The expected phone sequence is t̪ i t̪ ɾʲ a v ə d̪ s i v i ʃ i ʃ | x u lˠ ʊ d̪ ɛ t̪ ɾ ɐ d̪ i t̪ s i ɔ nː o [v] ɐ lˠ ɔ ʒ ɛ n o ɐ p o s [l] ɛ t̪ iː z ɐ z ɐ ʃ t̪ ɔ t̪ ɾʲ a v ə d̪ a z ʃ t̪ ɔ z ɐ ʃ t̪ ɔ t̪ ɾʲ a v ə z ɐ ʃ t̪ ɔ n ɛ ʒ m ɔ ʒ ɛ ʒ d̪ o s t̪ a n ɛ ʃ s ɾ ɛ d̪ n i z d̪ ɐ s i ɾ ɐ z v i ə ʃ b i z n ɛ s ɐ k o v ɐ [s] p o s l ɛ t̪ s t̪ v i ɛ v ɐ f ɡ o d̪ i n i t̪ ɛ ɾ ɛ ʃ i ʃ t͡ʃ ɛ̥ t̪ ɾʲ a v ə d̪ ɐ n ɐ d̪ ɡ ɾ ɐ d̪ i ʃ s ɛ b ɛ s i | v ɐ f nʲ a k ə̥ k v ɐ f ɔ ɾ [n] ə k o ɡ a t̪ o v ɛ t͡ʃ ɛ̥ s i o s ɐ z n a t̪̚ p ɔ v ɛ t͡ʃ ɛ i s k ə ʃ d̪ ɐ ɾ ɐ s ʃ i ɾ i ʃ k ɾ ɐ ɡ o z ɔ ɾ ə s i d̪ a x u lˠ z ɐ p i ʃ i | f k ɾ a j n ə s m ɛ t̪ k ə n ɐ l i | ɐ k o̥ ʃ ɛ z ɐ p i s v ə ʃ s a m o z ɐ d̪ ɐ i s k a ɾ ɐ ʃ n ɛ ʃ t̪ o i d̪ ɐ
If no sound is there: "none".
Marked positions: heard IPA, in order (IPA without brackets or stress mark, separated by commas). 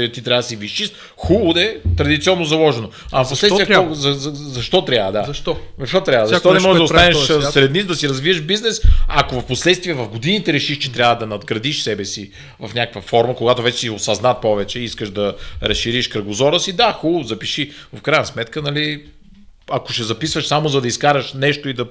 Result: z, l, f, m